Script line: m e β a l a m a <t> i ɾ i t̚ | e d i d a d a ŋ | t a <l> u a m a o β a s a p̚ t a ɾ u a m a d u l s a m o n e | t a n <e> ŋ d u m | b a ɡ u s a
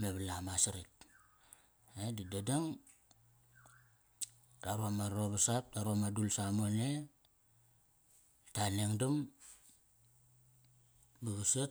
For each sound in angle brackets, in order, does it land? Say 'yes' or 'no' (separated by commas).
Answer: no, no, yes